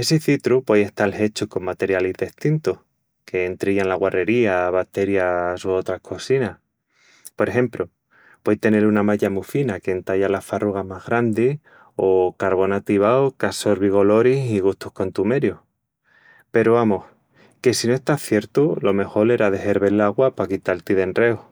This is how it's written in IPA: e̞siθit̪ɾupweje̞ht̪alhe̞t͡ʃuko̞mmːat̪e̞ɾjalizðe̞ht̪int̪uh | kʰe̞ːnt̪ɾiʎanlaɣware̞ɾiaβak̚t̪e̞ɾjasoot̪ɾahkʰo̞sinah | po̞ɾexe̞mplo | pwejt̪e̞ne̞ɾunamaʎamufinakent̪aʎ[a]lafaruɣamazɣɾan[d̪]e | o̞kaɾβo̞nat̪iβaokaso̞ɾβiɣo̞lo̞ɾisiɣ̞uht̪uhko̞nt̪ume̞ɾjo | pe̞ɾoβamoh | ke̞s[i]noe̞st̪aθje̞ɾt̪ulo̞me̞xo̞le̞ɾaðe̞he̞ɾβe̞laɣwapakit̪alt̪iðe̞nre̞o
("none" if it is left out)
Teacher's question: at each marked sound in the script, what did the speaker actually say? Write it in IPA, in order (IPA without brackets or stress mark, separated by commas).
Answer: a, d̪, i